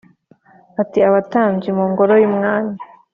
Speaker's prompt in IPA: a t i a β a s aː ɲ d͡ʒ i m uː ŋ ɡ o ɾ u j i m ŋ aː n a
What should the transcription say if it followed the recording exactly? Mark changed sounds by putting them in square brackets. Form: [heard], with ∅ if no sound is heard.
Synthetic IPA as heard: a t i a β a [t] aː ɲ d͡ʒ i m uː ŋ ɡ o ɾ [o] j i m ŋ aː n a